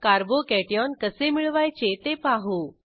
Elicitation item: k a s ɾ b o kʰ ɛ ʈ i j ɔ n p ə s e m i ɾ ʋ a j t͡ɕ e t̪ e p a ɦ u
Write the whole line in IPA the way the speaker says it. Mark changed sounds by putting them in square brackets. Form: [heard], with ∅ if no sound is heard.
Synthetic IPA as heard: k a [∅] ɾ b o [k] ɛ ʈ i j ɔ n [k] ə s e m i [ɭ] ʋ a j t͡ɕ e t̪ e p a ɦ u